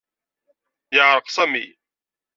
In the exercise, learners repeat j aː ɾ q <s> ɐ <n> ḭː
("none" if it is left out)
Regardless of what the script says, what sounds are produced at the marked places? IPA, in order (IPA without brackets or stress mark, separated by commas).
s, m